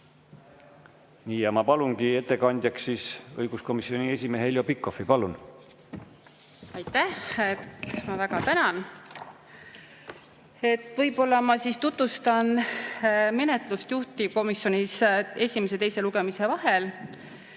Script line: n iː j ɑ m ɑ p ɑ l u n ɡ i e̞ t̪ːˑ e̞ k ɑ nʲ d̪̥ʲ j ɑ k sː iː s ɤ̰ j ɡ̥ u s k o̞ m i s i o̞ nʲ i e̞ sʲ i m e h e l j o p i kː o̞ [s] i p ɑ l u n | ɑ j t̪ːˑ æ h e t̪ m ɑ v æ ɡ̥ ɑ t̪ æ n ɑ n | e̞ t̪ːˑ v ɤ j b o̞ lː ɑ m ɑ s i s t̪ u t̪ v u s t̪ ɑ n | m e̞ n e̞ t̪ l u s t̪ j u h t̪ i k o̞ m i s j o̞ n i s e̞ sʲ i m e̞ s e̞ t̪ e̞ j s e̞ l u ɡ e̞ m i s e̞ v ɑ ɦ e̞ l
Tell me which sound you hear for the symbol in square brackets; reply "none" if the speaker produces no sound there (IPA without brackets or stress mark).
f